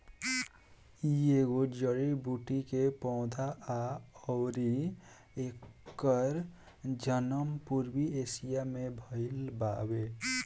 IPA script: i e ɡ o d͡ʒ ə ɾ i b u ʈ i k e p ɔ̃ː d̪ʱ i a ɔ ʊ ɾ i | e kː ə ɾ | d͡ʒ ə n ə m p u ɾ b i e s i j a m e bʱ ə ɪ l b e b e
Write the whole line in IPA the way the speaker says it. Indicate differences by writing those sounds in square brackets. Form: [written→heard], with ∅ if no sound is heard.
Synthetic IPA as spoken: i e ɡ o d͡ʒ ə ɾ i b u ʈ i k e p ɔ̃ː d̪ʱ [i→a] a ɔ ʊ ɾ i | e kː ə ɾ | d͡ʒ ə n ə m p u ɾ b i e s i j a m e bʱ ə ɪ l b [e→a] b e